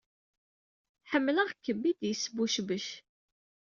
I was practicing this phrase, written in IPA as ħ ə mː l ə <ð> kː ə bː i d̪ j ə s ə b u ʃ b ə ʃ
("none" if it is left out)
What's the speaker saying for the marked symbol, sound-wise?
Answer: ʁ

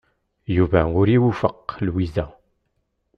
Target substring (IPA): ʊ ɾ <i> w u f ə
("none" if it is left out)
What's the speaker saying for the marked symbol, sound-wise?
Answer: i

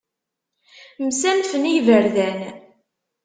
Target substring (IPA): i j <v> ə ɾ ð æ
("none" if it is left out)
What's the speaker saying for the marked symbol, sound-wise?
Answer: v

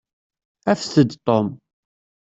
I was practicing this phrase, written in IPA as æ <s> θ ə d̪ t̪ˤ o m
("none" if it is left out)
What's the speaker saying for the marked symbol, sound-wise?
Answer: f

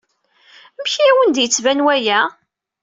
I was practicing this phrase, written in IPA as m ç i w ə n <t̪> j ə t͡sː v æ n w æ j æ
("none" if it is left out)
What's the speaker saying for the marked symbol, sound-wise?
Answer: d̪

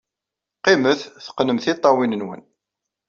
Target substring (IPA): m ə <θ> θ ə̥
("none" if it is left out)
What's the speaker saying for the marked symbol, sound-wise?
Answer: θ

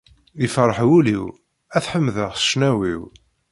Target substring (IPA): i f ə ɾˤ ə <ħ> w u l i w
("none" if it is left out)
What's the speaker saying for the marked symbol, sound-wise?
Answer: ħ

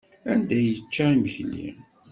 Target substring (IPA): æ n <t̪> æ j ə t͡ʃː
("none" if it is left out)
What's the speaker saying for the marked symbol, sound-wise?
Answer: d̪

